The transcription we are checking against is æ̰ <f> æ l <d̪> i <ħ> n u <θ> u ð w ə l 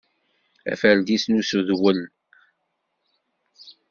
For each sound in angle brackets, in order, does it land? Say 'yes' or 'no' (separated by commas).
yes, yes, no, no